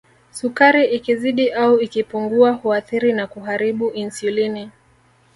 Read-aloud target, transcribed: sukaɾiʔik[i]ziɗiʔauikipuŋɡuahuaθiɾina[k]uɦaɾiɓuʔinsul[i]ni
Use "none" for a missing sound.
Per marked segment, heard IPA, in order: i, k, i

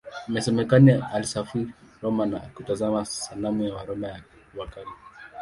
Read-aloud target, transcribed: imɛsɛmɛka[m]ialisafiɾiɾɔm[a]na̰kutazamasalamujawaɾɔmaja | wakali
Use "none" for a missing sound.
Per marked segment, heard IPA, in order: n, a

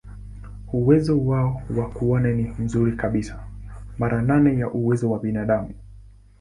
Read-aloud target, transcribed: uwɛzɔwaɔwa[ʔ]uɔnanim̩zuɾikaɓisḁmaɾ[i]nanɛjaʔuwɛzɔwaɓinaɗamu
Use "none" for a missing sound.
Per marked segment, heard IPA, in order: k, a

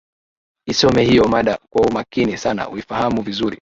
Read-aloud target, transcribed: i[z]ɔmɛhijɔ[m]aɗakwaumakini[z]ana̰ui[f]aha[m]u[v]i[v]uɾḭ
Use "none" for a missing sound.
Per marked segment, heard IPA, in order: s, m, s, f, m, v, z

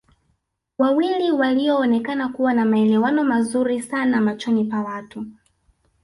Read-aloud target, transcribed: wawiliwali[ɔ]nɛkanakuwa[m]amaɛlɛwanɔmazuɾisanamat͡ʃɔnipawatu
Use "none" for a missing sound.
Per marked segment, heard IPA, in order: ɔː, n

